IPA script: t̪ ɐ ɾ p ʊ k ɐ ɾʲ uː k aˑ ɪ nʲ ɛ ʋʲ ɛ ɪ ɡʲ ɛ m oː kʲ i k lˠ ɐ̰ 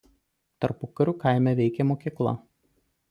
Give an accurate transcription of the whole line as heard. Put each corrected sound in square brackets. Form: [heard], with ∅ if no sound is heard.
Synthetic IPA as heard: t̪ ɐ ɾ p ʊ k ɐ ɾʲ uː k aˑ ɪ [mʲ] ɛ ʋʲ ɛ ɪ [kʲ] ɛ m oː kʲ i k lˠ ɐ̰